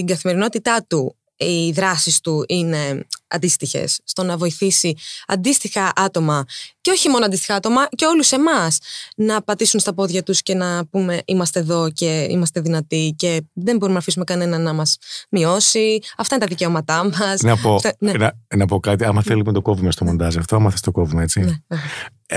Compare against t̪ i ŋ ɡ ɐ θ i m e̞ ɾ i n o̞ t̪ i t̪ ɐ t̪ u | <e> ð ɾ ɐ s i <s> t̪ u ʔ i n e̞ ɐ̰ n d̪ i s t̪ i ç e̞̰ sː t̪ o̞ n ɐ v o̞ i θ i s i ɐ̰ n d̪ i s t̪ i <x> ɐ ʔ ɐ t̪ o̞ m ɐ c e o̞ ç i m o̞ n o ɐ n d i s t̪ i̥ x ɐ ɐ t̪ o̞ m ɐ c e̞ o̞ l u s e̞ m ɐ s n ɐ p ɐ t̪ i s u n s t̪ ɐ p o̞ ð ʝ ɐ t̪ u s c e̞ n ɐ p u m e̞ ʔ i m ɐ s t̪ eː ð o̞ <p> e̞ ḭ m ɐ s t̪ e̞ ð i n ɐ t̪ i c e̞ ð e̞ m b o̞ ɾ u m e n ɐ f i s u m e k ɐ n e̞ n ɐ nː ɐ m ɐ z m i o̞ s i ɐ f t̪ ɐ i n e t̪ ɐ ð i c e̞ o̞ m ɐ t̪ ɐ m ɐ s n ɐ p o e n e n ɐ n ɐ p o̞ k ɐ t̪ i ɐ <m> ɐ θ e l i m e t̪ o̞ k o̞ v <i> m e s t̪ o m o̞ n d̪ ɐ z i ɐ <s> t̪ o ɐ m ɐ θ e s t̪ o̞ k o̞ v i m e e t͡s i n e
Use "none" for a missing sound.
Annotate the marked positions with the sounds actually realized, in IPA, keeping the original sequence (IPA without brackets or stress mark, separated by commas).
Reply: i, s, x, c, m, i, f